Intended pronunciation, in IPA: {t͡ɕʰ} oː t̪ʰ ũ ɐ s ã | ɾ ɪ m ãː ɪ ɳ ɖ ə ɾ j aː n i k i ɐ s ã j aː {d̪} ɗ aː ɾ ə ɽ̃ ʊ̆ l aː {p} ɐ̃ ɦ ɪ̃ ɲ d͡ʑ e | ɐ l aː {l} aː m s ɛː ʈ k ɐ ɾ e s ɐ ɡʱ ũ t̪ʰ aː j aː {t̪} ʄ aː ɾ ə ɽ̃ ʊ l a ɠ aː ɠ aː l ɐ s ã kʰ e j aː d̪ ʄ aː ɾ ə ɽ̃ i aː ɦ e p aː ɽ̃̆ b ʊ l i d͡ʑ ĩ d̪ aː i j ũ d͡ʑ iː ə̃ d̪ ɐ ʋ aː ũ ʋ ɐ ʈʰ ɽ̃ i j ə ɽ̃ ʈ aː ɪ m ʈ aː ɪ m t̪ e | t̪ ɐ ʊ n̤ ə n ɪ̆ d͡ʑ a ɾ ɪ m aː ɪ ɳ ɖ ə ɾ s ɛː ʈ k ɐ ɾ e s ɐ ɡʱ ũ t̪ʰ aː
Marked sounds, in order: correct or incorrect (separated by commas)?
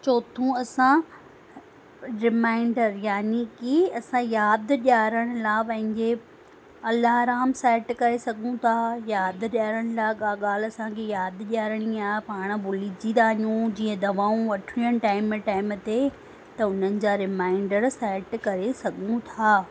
incorrect, correct, correct, incorrect, incorrect